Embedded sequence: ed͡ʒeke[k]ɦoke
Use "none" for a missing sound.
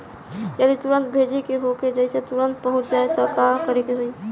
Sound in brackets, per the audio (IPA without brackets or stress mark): none